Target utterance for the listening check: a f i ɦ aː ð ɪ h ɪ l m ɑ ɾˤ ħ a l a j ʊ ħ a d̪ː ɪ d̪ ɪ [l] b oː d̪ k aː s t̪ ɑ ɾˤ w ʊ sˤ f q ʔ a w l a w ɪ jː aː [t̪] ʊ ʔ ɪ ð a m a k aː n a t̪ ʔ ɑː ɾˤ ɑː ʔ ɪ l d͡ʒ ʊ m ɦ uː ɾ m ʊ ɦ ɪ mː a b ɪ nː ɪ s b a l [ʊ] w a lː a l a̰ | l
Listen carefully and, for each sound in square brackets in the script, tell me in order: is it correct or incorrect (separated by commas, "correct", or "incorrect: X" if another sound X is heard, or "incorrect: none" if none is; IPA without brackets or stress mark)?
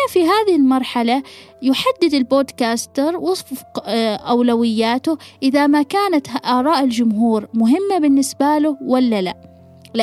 correct, correct, correct